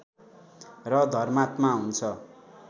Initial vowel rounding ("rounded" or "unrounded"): unrounded